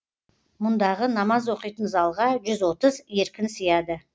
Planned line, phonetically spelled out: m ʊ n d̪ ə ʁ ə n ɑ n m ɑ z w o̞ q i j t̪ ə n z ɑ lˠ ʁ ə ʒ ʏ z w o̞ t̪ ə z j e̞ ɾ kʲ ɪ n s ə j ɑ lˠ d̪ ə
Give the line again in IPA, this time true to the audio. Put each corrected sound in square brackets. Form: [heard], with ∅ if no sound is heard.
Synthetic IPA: m ʊ n d̪ [ɑ] ʁ ə n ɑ [∅] m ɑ z w o̞ q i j t̪ ə n z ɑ lˠ ʁ [ɑ] ʒ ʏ z w o̞ t̪ ə z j e̞ ɾ kʲ ɪ n s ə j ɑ [∅] d̪ ə

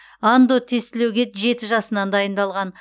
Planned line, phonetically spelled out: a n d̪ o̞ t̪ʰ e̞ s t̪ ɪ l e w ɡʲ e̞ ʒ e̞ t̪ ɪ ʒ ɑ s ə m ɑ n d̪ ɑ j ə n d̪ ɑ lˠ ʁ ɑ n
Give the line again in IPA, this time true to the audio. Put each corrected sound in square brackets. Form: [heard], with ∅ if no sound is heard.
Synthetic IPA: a n d̪ o̞ t̪ʰ e̞ s t̪ ɪ l e w ɡʲ e̞ ʒ e̞ t̪ ɪ ʒ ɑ s ə [n] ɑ n d̪ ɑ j ə n d̪ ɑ lˠ ʁ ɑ n

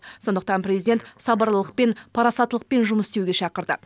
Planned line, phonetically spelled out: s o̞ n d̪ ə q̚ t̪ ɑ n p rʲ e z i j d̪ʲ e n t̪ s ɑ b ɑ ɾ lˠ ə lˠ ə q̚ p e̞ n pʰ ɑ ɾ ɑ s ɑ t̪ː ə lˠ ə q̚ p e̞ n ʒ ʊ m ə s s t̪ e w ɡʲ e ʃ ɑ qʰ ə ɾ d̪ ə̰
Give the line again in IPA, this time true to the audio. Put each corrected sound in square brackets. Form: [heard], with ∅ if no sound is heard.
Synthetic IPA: s o̞ n d̪ ə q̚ t̪ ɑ n p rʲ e z i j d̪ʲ e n t̪ s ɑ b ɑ ɾ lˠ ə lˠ ə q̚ p e̞ n pʰ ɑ ɾ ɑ s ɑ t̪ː ə lˠ ə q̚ p e̞ n ʒ ʊ m ə s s t̪ e w ɡʲ e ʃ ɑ [q] ə ɾ d̪ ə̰

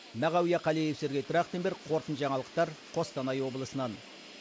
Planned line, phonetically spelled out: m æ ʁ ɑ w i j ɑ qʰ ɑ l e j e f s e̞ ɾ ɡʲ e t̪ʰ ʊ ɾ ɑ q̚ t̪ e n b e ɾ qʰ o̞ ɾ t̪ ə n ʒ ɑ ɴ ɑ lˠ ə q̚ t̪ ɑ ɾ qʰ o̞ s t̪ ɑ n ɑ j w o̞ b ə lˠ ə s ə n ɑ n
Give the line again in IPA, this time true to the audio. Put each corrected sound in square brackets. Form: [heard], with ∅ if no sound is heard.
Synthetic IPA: m æ ʁ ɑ w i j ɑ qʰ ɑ l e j e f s e̞ ɾ ɡʲ e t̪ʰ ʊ ɾ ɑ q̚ t̪ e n b e ɾ qʰ o̞ ɾ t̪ ə n ʒ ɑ ɴ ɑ lˠ ə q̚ t̪ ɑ ɾ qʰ o̞ s t̪ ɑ n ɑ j w o̞ b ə lˠ ə s ə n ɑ n

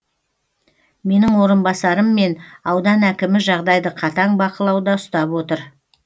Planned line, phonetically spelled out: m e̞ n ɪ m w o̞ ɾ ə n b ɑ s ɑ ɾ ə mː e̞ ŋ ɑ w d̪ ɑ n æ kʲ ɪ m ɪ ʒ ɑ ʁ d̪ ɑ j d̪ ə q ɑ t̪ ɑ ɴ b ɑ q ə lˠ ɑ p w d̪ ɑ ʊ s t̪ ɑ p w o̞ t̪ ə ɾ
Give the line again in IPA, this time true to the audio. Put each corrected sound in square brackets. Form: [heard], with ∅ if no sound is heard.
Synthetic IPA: m e̞ n ɪ [ŋ] w o̞ ɾ ə n b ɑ s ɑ ɾ ə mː e̞ [n] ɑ w d̪ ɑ n æ kʲ ɪ m ɪ ʒ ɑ ʁ d̪ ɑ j d̪ ə [qʰ] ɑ t̪ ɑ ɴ b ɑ q ə lˠ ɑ [∅] w d̪ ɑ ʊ s t̪ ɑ p w o̞ t̪ ə ɾ

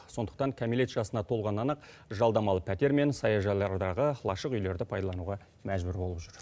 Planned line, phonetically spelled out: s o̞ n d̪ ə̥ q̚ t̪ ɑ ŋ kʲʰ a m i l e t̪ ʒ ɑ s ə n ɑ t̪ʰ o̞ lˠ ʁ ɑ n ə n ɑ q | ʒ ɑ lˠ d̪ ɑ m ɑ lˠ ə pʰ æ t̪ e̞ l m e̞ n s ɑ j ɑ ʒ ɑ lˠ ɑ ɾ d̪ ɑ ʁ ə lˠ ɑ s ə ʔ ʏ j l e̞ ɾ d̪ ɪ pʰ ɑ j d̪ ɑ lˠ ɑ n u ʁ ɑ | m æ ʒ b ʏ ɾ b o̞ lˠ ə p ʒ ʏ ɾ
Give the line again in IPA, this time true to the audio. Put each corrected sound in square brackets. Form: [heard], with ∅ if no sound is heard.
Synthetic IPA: s o̞ n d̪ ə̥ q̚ t̪ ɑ ŋ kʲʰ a m i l e t̪ ʒ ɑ s ə n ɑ t̪ʰ o̞ lˠ ʁ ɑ n [ɑ] n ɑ q | ʒ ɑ lˠ d̪ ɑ m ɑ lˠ ə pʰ æ t̪ e̞ [ɾ] m e̞ n s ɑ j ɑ ʒ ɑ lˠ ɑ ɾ d̪ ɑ ʁ ə lˠ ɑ [ʃ] ə [q] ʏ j l e̞ ɾ d̪ ɪ pʰ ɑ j d̪ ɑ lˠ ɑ n u ʁ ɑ | m æ ʒ b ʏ ɾ b o̞ lˠ ə p ʒ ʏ ɾ

